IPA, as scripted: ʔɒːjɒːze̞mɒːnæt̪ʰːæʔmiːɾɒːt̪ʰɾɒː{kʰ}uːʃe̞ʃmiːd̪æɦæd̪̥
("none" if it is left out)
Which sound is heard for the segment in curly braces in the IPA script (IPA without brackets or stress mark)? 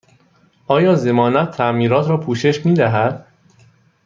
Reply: pʰ